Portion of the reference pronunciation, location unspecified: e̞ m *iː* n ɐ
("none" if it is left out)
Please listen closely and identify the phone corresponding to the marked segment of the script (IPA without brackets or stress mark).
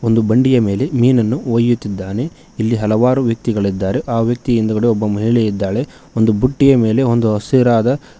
iː